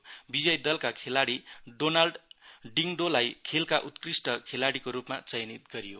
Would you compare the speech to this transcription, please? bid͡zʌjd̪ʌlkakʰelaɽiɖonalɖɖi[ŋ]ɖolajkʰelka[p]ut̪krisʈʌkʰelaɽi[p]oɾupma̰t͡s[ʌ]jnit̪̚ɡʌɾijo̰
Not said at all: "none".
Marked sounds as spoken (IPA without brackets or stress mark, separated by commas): ŋ, ʔ, k, ʌ